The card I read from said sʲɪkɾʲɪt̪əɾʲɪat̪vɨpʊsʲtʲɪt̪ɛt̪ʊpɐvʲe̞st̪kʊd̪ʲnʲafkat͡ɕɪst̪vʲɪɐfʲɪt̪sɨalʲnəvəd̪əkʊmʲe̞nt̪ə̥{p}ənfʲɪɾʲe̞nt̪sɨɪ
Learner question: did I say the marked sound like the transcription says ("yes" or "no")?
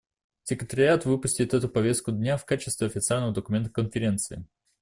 no